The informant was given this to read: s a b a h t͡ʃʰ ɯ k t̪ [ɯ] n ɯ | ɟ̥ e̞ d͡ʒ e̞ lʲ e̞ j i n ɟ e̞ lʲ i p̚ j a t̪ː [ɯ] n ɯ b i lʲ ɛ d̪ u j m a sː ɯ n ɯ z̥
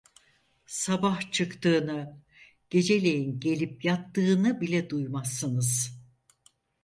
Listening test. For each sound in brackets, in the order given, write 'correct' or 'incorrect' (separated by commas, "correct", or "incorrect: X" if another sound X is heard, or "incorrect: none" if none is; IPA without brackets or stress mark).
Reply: incorrect: ɯː, incorrect: ɯː